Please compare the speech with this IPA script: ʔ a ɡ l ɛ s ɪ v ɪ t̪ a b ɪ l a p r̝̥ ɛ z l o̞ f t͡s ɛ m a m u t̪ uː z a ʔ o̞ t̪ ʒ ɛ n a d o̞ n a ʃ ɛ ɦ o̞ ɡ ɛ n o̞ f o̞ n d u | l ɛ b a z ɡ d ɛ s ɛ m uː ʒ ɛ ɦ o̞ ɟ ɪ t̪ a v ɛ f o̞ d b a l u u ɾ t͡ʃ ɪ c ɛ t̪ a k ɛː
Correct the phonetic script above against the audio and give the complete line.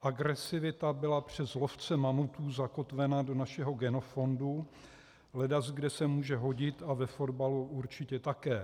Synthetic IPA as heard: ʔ a ɡ ɾ ɛ s ɪ v ɪ t̪ a b ɪ l a p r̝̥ ɛ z l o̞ f t͡s ɛ m a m u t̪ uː z a k o̞ t̪ v ɛ n a d o̞ n a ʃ ɛ ɦ o̞ ɡ ɛ n o̞ f o̞ n d u | l ɛ d a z ɡ d ɛ s ɛ m uː ʒ ɛ ɦ o̞ ɟ ɪ t̪ a v ɛ f o̞ d b a l u u ɾ t͡ʃ ɪ c ɛ t̪ a k ɛː